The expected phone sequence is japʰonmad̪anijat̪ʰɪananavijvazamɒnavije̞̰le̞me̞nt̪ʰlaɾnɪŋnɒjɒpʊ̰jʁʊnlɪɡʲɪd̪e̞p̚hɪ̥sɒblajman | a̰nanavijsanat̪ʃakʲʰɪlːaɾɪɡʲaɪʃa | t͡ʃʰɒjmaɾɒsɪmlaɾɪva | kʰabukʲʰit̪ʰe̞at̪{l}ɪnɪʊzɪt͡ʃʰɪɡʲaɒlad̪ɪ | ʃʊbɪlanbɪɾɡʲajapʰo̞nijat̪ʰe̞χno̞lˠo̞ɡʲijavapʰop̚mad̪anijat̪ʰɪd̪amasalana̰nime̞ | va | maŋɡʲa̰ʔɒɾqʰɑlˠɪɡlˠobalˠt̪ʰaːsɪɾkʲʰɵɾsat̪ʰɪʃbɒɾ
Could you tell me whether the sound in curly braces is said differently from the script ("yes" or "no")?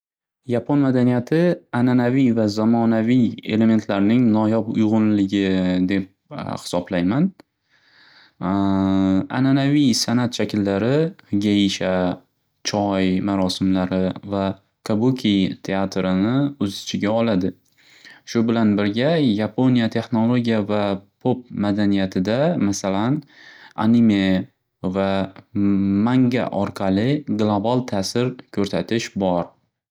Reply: yes